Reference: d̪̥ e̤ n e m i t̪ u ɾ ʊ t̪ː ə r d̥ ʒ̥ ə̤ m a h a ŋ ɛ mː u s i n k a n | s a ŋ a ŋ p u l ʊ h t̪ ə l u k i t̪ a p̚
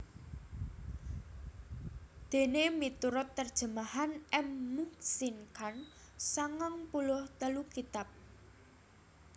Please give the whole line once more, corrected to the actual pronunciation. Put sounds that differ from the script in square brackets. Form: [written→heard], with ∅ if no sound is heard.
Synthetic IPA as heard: d̪̥ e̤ n e m i t̪ u ɾ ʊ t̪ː ə r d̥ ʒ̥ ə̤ m a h a [ŋ→n] ɛ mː u s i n k a n | s a ŋ a ŋ p u l ʊ h t̪ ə l u k i t̪ a p̚